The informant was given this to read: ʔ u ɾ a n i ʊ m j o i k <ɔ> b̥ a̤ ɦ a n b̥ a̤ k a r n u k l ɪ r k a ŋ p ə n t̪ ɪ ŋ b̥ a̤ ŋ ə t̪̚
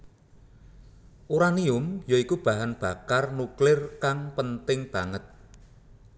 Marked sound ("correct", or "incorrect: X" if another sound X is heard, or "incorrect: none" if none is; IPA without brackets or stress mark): incorrect: u